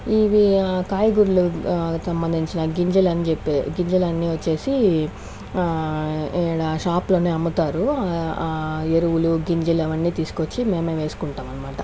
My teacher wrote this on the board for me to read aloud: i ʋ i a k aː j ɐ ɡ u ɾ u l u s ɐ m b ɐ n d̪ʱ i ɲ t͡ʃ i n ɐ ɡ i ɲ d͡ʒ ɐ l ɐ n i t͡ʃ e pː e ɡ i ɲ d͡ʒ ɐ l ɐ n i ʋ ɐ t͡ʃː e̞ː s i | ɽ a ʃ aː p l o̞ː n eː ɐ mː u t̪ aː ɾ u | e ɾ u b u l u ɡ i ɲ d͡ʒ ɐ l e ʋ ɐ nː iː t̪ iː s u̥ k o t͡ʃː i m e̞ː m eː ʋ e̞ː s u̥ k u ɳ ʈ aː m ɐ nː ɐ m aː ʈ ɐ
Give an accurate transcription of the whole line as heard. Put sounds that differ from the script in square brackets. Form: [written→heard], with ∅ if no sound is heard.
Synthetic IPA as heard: i ʋ i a k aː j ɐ ɡ u ɾ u l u s ɐ m b ɐ n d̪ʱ i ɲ t͡ʃ i n ɐ ɡ i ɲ d͡ʒ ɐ l ɐ n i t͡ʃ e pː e ɡ i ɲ d͡ʒ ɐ l ɐ [n→nː] i ʋ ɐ t͡ʃː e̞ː s i | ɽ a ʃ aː p l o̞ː n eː ɐ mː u t̪ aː ɾ u | e ɾ u [b→w] u l u ɡ i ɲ d͡ʒ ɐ l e ʋ ɐ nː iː t̪ iː s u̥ k o t͡ʃː i m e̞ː m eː ʋ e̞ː s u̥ k u ɳ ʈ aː m ɐ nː ɐ m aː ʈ ɐ